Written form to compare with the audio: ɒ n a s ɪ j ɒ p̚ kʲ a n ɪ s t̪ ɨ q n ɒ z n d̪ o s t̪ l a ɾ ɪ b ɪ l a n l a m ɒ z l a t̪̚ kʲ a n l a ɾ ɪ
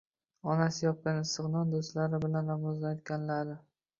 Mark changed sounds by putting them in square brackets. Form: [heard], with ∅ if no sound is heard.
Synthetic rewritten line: ɒ n a s ɪ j ɒ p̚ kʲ a n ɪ s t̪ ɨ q n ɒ [∅] n d̪ o s t̪ l a ɾ ɪ b ɪ l a n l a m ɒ z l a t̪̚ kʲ a n l a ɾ ɪ